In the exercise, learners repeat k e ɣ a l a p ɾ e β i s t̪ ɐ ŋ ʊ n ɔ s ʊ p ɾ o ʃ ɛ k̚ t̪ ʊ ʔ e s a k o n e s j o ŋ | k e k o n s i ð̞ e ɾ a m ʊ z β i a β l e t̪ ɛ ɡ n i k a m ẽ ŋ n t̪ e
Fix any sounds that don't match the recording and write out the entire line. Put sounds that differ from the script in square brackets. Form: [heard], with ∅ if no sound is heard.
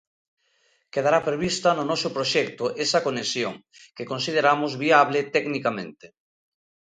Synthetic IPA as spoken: k e [ð] a [ɾ] a p ɾ e β i s t̪ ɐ [n] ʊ n ɔ s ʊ p ɾ o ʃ ɛ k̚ t̪ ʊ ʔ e s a k o n e s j o ŋ | k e k o n s i ð̞ e ɾ a m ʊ z β i a β l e t̪ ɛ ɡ n i k a m ẽ [∅] n t̪ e